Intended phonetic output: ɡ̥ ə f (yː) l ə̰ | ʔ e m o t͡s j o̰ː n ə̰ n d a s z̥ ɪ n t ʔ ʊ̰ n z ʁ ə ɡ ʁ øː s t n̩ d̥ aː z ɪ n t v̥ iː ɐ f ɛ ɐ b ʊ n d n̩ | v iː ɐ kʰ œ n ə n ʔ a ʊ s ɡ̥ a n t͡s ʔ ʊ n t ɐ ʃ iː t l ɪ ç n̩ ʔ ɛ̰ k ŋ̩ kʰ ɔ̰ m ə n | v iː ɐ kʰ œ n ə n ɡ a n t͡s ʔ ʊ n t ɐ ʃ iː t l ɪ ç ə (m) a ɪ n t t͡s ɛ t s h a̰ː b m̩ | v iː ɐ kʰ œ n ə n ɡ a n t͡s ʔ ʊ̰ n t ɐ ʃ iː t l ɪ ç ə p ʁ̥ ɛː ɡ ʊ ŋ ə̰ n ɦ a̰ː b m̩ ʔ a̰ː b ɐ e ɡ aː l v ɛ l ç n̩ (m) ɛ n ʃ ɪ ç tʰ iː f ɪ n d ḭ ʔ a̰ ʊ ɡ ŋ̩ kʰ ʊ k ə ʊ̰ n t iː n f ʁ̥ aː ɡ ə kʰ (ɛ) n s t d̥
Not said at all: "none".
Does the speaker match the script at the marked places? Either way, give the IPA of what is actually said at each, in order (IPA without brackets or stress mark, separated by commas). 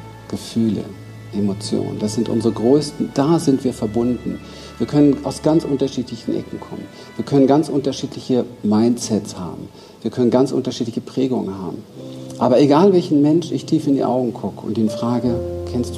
yː, m, m, ɛ